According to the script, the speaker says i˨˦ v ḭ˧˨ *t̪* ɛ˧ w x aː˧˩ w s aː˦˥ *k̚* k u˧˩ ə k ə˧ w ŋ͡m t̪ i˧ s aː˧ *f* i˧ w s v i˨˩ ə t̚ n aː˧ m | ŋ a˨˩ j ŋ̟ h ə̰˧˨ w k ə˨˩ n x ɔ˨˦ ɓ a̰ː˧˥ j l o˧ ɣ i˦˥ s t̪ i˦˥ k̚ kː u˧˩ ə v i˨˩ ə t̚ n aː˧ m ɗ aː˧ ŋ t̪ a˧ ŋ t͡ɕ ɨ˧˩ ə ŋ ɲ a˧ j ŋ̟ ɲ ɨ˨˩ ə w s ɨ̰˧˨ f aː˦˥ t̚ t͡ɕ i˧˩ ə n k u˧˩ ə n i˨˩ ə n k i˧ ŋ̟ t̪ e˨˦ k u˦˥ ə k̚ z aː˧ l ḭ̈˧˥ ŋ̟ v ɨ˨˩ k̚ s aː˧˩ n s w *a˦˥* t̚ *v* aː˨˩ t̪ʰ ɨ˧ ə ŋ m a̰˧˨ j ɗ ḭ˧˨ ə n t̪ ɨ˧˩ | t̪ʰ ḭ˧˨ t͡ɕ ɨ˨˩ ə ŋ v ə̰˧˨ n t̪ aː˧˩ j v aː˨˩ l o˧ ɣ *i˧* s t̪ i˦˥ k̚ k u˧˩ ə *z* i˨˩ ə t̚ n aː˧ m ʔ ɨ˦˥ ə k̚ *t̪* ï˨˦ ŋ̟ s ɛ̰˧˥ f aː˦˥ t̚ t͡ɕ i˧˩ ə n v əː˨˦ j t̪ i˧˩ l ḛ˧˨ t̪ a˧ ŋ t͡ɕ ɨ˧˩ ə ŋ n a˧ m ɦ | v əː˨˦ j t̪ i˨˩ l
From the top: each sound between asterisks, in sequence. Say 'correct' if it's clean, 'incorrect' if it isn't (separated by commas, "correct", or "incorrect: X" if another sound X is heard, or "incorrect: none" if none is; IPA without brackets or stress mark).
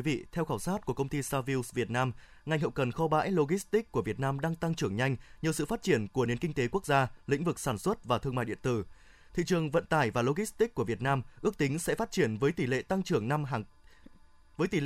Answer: incorrect: t̪ʰ, incorrect: t̚, incorrect: v, incorrect: ə˦˥, correct, incorrect: i˦˥, incorrect: v, correct